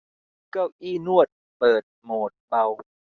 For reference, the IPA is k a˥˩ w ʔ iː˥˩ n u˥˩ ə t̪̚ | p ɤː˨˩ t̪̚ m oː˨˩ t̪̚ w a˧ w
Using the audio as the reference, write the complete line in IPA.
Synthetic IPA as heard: k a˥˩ w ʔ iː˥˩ n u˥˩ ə t̪̚ | p ɤː˨˩ t̪̚ m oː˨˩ t̪̚ b a˧ w